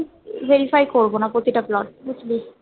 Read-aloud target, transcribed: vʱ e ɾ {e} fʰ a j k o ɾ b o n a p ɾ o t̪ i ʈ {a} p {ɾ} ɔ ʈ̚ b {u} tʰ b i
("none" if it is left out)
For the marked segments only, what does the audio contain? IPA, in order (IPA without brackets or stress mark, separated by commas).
i, a, l, u